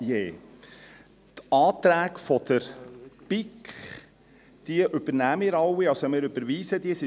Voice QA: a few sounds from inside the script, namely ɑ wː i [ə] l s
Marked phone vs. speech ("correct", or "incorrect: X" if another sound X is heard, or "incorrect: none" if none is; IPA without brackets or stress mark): incorrect: ɑ